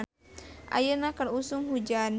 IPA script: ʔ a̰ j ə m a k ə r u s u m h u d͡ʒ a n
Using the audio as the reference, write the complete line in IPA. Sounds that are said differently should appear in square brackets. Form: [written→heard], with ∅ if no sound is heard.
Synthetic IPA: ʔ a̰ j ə [m→n] a k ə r u s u [m→ŋ] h u d͡ʒ a n